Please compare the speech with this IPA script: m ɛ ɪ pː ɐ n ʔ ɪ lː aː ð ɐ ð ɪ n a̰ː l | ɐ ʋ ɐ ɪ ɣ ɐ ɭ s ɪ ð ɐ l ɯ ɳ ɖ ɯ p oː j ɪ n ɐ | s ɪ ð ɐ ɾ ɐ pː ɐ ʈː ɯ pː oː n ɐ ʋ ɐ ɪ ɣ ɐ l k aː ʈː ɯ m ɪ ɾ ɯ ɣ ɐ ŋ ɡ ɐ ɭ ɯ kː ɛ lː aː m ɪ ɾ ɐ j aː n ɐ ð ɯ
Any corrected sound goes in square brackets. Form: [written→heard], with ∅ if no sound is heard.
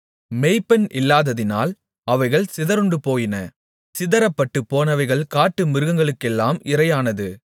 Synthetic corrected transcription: m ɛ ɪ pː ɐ n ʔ ɪ lː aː ð ɐ ð ɪ n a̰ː l | ɐ ʋ ɐ ɪ ɣ ɐ ɭ s ɪ ð ɐ [l→ɾ] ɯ ɳ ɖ ɯ p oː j ɪ n ɐ | s ɪ ð ɐ ɾ ɐ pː ɐ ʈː ɯ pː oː n ɐ ʋ ɐ ɪ ɣ ɐ [l→ɭ] k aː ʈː ɯ m ɪ ɾ ɯ ɣ ɐ ŋ ɡ ɐ ɭ ɯ kː ɛ lː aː m ɪ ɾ ɐ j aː n ɐ ð ɯ

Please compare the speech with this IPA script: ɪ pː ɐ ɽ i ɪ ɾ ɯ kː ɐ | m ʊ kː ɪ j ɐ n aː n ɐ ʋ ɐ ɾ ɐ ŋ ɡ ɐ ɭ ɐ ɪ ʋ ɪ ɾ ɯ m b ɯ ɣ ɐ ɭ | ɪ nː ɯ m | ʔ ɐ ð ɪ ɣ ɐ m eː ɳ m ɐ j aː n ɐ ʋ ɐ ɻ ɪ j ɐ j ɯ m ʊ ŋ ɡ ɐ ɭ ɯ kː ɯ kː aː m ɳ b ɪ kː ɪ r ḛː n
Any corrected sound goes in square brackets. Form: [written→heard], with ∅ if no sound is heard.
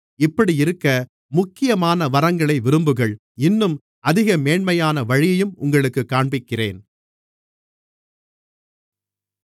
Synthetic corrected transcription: ɪ pː ɐ ɽ i ɪ ɾ ɯ kː ɐ | m ʊ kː ɪ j ɐ [n→m] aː n ɐ ʋ ɐ ɾ ɐ ŋ ɡ ɐ ɭ ɐ ɪ ʋ ɪ ɾ ɯ m b ɯ ɣ ɐ ɭ | ɪ nː ɯ m | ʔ ɐ ð ɪ ɣ ɐ m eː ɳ m ɐ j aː n ɐ ʋ ɐ ɻ ɪ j ɐ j ɯ m ʊ ŋ ɡ ɐ ɭ ɯ kː ɯ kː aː [m→∅] ɳ b ɪ kː ɪ r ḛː n

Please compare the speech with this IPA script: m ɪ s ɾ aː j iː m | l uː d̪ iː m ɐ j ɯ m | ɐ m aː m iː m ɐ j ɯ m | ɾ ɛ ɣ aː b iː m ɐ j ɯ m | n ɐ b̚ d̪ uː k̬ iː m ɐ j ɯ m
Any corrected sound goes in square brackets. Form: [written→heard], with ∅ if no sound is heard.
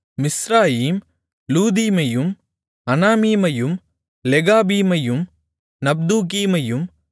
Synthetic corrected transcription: m ɪ s ɾ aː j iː m | l uː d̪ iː m ɐ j ɯ m | ɐ [m→n] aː m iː m ɐ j ɯ m | [ɾ→l] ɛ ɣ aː b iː m ɐ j ɯ m | n ɐ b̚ d̪ uː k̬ iː m ɐ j ɯ m

